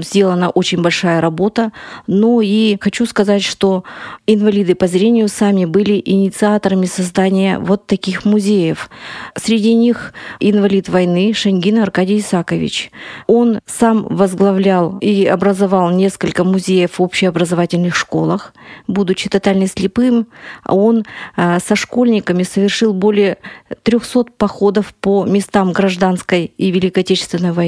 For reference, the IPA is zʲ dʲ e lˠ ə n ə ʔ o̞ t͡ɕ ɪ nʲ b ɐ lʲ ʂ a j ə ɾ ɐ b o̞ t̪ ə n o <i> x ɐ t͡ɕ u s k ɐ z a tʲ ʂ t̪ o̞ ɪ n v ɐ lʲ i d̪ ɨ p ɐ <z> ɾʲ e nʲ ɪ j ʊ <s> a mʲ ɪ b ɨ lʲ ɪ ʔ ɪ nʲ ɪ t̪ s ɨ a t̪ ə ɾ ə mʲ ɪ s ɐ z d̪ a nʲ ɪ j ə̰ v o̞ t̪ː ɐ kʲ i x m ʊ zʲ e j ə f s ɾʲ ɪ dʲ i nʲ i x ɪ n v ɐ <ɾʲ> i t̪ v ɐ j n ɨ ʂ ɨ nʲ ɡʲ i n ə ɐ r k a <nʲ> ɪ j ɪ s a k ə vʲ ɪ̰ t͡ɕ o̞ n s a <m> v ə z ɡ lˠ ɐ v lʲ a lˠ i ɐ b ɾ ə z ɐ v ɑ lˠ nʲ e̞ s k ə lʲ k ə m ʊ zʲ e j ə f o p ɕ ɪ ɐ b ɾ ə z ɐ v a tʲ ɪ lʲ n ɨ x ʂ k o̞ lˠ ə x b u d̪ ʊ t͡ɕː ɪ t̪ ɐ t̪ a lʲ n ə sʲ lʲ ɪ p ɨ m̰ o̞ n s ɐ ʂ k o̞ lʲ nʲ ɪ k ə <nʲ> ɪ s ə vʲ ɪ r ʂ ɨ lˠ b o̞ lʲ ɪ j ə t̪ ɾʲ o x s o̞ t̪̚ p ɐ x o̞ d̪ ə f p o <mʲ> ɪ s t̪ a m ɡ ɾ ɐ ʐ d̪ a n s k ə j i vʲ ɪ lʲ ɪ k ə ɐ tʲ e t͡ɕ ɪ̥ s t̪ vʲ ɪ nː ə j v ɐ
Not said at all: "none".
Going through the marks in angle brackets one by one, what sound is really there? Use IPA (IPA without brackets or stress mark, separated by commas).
i, z, s, lʲ, dʲ, m, mʲ, mʲ